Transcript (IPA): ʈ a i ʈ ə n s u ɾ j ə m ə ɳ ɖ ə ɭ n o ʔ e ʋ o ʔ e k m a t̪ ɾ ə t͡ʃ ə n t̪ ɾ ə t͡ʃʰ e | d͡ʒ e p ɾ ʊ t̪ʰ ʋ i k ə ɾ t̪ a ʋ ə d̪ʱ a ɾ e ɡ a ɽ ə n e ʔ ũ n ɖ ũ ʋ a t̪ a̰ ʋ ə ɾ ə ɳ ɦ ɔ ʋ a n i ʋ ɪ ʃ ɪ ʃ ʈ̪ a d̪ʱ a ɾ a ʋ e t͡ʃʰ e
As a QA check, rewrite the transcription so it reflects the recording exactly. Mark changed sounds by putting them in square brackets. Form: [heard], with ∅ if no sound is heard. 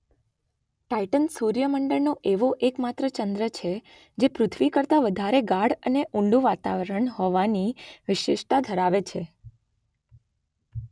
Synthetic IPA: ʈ a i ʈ ə n s u ɾ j ə m ə ɳ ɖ ə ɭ n o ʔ e ʋ o ʔ e k m a t̪ ɾ ə t͡ʃ ə n [d̪] ɾ ə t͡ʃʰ e | d͡ʒ e p ɾ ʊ t̪ʰ ʋ i k ə ɾ t̪ a ʋ ə d̪ʱ a ɾ e ɡ a ɽ ə n e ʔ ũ [ɳ] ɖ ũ ʋ a t̪ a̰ ʋ ə ɾ ə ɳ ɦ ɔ ʋ a n i ʋ ɪ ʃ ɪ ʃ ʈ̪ a d̪ʱ [ə] ɾ a ʋ e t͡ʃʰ e

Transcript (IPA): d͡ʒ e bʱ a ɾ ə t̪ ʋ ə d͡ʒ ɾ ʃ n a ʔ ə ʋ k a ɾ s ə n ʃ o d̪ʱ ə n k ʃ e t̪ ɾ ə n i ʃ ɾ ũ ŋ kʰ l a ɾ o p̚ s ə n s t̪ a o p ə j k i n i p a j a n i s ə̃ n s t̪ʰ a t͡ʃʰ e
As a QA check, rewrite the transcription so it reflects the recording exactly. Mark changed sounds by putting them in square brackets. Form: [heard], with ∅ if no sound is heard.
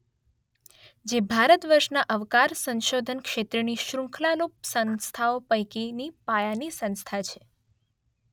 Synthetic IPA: d͡ʒ e bʱ a ɾ ə t̪ ʋ ə [∅] ɾ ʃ n a ʔ ə ʋ k a ɾ s ə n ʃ o d̪ʱ ə n k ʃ e t̪ ɾ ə n i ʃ ɾ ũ ŋ kʰ l a [l] o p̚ s ə n s [t̪ʰ] a o p ə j k i n i p a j a n i s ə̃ n s t̪ʰ a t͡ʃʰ e

